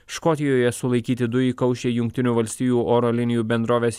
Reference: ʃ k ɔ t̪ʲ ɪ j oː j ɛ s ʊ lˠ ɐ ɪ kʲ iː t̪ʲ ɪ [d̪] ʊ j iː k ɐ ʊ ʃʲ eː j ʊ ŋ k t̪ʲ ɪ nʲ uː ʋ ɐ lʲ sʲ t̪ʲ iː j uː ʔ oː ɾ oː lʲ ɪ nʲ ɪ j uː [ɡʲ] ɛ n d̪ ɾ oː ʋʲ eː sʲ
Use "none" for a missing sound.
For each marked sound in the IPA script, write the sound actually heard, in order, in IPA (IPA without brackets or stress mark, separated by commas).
d̪, bʲ